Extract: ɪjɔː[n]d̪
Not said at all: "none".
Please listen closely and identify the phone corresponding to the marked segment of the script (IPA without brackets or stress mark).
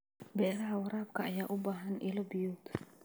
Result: none